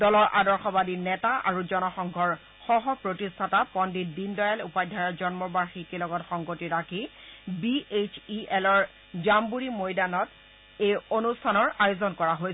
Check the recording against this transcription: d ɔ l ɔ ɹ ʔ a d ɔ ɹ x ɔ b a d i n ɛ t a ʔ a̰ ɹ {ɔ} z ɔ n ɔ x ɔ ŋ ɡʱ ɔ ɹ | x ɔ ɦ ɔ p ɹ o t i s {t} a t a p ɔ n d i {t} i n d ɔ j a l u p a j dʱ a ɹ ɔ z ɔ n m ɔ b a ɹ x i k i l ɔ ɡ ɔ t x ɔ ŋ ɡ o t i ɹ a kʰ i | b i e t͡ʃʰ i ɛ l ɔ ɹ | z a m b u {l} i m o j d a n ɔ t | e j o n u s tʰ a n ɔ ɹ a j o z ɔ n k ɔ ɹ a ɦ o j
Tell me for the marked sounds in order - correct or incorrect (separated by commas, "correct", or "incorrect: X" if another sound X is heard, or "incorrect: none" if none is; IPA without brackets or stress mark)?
incorrect: u, incorrect: tʰ, incorrect: d, incorrect: ɹ